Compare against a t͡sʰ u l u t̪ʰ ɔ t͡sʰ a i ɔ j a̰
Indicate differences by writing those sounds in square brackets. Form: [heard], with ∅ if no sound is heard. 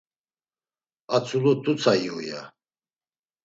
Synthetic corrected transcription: a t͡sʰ u l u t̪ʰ [u] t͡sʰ a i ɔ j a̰

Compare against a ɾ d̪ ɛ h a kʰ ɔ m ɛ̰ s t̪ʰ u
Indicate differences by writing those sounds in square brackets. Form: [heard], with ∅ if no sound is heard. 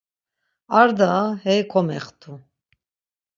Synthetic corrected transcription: a ɾ d̪ [a] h [ɛ] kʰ ɔ m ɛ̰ [χ] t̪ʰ u

